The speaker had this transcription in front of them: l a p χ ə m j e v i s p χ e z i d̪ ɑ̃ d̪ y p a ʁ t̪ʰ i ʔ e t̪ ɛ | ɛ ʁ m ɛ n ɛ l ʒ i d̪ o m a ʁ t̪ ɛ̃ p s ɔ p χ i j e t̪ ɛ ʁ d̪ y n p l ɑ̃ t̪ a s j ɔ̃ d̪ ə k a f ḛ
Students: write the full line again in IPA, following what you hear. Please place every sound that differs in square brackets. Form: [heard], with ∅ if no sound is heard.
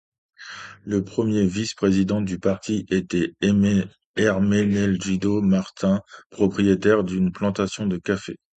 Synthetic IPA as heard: l [ə] p χ ə m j e v i s p χ e z i d̪ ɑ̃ d̪ y p a ʁ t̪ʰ i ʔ e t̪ ɛ | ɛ ʁ m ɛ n ɛ l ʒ i d̪ o m a ʁ t̪ ɛ̃ p [χ] ɔ p χ i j e t̪ ɛ ʁ d̪ y n p l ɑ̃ t̪ a s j ɔ̃ d̪ ə k a f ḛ